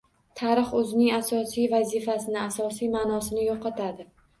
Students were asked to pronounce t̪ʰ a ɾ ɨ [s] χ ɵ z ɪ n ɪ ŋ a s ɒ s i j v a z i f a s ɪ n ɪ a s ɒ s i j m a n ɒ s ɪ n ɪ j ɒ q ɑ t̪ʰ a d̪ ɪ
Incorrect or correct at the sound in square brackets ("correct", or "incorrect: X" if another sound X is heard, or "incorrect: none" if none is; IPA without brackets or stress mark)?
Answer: incorrect: none